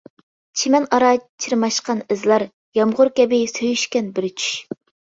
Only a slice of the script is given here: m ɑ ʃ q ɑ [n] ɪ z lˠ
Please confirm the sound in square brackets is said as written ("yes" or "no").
yes